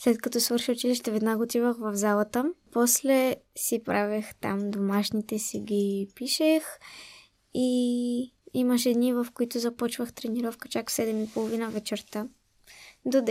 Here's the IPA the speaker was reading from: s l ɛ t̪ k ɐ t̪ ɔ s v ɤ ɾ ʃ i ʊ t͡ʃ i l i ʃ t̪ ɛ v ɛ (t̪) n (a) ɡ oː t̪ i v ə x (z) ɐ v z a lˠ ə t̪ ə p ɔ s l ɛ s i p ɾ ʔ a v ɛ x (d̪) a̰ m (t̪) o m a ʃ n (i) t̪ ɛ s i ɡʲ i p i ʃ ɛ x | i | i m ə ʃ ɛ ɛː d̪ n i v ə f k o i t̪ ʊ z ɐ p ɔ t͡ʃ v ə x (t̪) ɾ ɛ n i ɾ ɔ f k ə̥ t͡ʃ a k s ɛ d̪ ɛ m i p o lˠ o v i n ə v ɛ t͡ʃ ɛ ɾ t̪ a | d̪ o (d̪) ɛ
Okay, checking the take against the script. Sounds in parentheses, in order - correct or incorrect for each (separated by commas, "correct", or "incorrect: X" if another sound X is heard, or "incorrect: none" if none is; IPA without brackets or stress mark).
incorrect: d̪, correct, incorrect: v, incorrect: t̪, incorrect: d̪, correct, correct, correct